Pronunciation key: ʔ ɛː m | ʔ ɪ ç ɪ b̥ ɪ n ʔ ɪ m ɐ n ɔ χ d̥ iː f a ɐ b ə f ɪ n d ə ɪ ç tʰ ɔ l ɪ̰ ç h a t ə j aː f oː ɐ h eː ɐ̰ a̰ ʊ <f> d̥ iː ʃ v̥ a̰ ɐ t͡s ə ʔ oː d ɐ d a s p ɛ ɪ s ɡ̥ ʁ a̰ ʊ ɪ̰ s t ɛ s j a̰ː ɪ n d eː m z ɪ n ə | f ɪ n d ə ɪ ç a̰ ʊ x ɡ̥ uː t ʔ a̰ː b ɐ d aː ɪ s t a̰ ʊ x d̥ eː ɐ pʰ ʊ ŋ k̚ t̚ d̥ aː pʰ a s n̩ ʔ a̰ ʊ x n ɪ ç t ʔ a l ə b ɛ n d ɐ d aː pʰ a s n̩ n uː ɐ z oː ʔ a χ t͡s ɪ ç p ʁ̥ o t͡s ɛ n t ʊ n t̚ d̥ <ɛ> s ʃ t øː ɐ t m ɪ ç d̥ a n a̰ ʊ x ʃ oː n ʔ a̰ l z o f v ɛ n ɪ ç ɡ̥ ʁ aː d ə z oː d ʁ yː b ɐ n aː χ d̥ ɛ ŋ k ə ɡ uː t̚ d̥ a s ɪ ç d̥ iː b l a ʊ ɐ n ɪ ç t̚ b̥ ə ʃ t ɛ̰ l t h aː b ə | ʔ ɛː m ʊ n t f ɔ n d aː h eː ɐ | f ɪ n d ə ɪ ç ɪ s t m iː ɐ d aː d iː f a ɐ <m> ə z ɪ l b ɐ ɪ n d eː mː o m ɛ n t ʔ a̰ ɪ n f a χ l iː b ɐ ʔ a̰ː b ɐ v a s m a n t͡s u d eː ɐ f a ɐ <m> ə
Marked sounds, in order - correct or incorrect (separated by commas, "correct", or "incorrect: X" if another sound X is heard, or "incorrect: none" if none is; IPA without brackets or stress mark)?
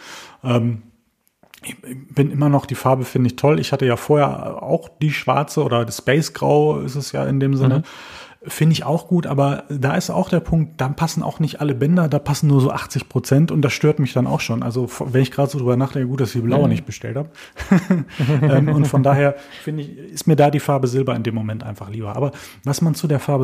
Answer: incorrect: x, incorrect: a, incorrect: b, incorrect: b